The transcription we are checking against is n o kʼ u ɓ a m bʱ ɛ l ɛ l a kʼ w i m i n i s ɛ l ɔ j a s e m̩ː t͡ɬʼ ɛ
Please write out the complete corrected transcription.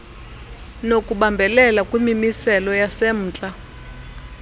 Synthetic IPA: n o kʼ u ɓ a m bʱ ɛ l ɛ l a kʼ w i m i m i s ɛ l ɔ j a s e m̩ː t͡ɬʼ a